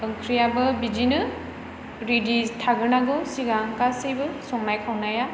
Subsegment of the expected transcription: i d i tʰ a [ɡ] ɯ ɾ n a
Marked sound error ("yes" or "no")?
no